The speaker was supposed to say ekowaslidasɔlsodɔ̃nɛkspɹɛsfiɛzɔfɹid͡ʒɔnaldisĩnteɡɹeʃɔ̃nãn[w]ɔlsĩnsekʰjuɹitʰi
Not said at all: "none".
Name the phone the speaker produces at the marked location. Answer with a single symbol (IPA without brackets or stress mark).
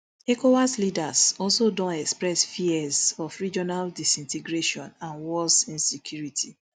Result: w